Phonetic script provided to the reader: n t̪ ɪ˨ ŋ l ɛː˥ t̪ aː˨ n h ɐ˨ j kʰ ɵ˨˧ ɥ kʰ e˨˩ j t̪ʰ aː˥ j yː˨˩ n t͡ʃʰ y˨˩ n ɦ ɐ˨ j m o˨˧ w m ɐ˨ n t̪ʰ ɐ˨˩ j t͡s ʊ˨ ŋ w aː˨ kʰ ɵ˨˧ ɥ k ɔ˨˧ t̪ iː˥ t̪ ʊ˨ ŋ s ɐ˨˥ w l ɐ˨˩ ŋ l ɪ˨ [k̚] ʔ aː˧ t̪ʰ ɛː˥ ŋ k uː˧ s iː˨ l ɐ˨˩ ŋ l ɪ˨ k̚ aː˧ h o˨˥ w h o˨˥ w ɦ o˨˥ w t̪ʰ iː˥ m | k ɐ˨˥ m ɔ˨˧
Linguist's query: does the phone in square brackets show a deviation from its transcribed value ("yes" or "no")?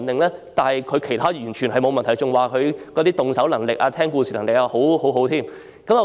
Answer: no